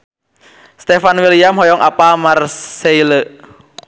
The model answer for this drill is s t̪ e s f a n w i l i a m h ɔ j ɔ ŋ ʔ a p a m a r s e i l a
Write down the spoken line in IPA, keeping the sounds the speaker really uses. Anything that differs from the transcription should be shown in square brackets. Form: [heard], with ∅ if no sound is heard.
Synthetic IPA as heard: s t̪ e [∅] f a n w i l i a m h ɔ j ɔ ŋ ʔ a p a m a r s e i l [ə]